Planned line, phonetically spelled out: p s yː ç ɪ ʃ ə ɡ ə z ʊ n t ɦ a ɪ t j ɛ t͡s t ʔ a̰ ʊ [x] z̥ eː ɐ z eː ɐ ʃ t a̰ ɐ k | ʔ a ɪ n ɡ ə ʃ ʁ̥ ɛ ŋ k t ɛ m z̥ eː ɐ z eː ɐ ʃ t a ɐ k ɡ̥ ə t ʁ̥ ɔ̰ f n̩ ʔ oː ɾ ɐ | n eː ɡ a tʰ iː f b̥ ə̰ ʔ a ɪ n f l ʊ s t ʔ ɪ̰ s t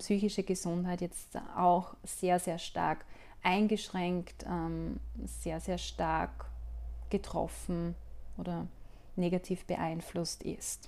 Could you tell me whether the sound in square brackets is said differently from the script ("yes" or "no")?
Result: no